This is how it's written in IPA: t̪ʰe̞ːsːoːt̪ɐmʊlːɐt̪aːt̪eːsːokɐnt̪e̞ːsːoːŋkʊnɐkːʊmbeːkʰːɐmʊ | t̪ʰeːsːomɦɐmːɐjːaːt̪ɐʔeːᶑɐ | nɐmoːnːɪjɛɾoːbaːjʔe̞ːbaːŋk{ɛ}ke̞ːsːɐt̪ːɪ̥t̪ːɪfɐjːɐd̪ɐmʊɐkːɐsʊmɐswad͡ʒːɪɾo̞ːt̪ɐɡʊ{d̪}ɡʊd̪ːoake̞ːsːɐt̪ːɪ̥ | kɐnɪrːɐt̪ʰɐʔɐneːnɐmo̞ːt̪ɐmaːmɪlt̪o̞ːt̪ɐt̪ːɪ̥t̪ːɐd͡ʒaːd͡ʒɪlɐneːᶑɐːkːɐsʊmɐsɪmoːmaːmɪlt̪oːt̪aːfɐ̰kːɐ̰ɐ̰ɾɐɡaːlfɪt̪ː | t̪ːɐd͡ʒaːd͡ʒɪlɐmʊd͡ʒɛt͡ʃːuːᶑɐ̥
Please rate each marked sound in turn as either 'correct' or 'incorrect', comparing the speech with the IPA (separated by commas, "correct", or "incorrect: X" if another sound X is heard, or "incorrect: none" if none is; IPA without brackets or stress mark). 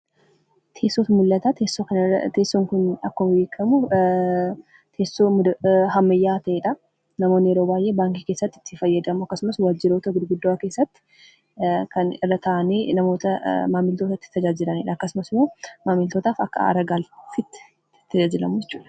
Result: incorrect: i, correct